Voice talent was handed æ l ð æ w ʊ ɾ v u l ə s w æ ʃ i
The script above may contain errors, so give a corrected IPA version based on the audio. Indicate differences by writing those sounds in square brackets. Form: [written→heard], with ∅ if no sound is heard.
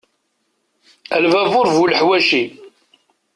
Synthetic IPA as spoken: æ l [ð→v] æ [w→v] ʊ ɾ v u l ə [s→ħ] w æ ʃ i